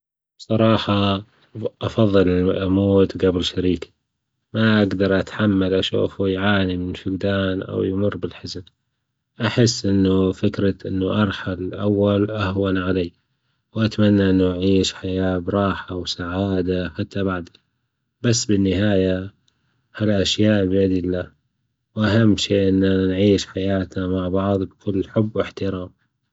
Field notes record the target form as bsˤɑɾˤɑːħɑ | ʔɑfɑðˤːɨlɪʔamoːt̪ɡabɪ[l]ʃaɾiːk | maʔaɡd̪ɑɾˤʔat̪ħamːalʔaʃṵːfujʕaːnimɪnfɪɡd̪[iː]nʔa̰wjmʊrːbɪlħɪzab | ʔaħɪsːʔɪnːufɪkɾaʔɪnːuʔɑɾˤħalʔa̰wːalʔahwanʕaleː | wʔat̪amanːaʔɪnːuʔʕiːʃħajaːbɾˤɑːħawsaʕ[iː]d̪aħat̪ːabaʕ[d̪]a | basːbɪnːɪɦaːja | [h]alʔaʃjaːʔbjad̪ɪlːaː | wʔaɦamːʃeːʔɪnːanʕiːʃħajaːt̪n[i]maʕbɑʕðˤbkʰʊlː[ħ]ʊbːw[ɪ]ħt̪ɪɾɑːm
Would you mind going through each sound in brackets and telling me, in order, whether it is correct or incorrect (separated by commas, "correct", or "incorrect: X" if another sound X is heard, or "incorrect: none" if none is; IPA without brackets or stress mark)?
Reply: correct, incorrect: aː, incorrect: aː, correct, correct, incorrect: a, correct, correct